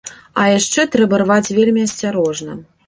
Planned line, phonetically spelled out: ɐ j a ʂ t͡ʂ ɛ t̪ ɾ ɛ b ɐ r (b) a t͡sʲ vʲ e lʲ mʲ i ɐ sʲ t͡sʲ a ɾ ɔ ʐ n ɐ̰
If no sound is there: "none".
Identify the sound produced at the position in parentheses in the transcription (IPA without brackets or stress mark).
v